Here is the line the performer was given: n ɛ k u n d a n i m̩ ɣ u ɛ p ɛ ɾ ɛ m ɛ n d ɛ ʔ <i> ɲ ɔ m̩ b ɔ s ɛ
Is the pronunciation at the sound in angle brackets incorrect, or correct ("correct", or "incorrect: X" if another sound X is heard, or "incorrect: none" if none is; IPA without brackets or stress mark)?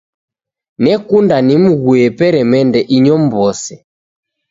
correct